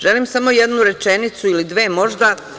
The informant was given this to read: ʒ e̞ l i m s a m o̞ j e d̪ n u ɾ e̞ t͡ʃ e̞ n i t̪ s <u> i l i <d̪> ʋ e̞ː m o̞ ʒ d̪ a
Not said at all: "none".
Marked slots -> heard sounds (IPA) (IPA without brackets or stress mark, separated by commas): u, d̪